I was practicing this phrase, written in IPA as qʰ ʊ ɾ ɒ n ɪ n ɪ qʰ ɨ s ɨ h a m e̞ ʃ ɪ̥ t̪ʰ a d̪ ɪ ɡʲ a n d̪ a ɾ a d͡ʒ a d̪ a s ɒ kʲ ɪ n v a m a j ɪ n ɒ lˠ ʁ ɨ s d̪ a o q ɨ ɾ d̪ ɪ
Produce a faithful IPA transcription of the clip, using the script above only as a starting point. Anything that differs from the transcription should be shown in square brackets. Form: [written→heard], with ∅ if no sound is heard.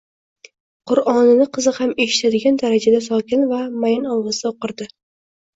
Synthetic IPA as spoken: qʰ ʊ ɾ ɒ n ɪ n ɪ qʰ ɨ [s→z] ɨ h a m e̞ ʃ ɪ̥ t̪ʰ a d̪ ɪ ɡʲ a n d̪ a ɾ a d͡ʒ a d̪ a s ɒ kʲ ɪ n v a m a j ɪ n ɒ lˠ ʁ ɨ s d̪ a o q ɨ ɾ d̪ ɪ